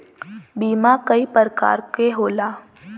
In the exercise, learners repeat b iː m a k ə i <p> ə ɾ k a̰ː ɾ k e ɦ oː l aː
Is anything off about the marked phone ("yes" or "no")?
no